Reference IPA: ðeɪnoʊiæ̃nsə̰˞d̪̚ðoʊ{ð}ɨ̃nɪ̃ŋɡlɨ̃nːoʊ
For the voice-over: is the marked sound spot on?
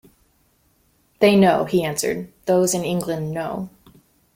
no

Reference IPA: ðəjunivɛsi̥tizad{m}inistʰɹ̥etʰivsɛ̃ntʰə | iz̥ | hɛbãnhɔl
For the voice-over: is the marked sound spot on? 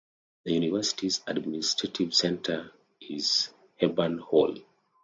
yes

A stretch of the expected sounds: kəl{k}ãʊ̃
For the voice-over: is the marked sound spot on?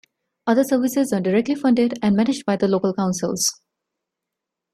yes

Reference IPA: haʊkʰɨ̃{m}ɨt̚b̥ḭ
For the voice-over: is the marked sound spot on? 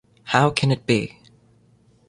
no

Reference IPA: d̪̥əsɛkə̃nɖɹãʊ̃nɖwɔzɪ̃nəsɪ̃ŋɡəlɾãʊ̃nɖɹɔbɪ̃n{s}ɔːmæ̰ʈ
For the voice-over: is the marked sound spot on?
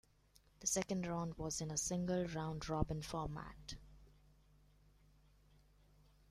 no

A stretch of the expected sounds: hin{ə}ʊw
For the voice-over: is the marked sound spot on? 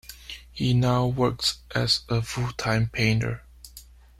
no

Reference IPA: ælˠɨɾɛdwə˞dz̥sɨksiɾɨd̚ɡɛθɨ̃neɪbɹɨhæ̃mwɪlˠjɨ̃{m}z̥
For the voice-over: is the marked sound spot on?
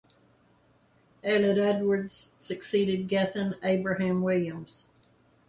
yes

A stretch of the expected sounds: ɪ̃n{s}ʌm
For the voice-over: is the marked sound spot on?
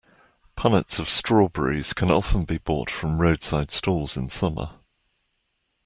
yes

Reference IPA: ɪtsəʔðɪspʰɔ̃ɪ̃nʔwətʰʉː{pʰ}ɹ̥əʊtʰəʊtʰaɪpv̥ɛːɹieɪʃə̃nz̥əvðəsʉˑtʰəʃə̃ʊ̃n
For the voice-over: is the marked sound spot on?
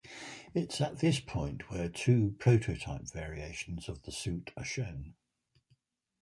yes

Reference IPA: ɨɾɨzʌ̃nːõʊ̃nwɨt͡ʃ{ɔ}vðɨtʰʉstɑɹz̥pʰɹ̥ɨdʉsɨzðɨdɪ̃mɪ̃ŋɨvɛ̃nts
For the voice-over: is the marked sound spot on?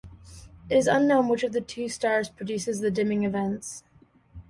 no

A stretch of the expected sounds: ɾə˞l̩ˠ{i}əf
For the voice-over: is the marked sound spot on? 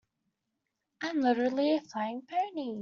yes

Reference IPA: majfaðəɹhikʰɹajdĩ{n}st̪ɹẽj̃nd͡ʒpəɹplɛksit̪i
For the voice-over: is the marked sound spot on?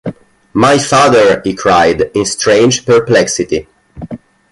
yes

